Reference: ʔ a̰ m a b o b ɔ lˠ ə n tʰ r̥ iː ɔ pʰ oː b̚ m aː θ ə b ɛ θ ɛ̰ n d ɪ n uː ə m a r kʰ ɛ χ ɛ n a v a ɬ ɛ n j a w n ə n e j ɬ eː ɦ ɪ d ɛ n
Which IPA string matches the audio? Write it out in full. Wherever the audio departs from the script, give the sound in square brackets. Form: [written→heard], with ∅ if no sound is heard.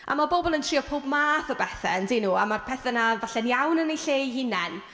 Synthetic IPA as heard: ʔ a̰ m a b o b ɔ lˠ ə n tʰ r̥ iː ɔ pʰ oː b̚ m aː θ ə b ɛ θ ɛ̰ n d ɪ n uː [ə→a] m a r [kʰ→pʰ] ɛ [χ→θ] ɛ n a v a ɬ ɛ n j a w n ə n e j ɬ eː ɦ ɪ [d→n] ɛ n